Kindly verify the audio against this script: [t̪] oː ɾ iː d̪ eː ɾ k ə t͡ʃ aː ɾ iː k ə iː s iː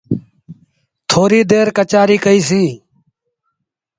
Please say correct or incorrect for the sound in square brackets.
incorrect